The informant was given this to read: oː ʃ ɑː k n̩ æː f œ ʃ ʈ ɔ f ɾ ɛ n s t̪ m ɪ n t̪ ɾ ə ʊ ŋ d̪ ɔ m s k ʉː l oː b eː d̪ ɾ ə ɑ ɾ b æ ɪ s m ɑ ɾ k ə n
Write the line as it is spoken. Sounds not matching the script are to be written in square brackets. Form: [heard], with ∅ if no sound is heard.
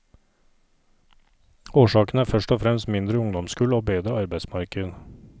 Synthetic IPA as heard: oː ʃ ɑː k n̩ æː f œ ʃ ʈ ɔ f ɾ ɛ [m] s t̪ m ɪ n [d̪] ɾ ə ʊ ŋ d̪ ɔ m s k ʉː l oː b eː d̪ ɾ ə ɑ ɾ b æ ɪ s m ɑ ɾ k ə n